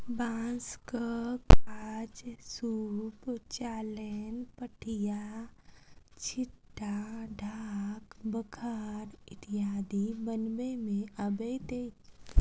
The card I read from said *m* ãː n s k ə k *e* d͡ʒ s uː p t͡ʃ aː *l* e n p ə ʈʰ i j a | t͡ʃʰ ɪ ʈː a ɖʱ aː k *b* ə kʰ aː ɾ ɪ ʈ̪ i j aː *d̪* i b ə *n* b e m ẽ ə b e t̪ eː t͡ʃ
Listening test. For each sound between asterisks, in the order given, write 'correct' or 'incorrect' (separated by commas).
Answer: incorrect, incorrect, correct, correct, correct, correct